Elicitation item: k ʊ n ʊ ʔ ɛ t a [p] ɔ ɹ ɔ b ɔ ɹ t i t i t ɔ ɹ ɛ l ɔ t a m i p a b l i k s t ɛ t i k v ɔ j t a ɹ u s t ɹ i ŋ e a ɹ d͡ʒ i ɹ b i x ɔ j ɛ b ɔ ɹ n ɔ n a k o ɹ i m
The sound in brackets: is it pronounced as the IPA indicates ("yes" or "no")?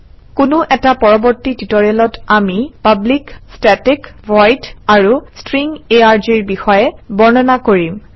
yes